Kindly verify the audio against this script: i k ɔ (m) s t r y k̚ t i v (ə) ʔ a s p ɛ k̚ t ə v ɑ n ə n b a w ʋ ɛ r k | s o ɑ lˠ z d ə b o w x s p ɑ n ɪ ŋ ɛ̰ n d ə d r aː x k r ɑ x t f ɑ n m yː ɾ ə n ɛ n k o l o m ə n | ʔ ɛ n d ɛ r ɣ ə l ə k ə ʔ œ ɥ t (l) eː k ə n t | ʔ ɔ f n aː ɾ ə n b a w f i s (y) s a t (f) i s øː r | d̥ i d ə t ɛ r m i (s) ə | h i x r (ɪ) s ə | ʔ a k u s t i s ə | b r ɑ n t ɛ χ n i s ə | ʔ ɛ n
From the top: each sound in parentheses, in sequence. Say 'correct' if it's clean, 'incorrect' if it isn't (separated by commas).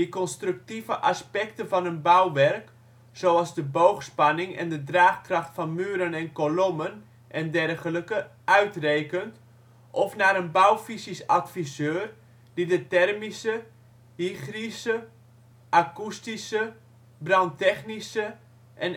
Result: incorrect, correct, incorrect, incorrect, correct, correct, incorrect